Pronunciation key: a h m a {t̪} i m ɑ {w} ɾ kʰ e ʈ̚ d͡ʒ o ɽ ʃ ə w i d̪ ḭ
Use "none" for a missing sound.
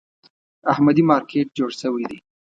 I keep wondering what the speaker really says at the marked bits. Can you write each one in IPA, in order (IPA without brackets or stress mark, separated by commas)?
d̪, none